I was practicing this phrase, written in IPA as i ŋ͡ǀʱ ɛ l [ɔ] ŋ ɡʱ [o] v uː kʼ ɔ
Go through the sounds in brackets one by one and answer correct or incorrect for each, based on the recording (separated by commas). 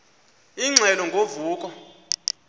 correct, correct